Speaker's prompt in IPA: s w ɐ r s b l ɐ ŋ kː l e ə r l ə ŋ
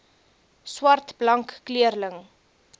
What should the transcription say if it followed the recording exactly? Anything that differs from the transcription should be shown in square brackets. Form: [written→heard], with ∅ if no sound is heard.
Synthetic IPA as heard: s w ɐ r [s→t] b l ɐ ŋ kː l [e→i] ə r l ə ŋ